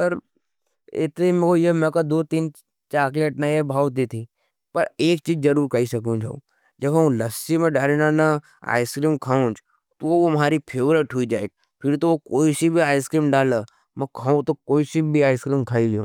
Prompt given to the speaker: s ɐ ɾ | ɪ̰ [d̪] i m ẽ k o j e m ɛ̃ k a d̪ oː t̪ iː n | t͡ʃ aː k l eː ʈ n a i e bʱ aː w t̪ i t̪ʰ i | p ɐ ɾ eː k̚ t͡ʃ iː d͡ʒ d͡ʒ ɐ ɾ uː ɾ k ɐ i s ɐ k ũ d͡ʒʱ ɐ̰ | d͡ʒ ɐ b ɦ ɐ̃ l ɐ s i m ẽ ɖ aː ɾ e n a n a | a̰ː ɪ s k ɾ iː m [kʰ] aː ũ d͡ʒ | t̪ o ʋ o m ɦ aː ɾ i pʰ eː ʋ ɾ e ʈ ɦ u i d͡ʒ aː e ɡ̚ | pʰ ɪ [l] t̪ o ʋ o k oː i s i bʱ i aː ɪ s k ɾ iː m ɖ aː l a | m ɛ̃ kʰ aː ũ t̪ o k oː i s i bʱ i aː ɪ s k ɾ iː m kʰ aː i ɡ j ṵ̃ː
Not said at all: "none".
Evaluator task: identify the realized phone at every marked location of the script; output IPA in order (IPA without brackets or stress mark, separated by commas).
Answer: t̪, kʰ, ɾ